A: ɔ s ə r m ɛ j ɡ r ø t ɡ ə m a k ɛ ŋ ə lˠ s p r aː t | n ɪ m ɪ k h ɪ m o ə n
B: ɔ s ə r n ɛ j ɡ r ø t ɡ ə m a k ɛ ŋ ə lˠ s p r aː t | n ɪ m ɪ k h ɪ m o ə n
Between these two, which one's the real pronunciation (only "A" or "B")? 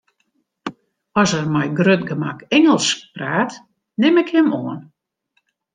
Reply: A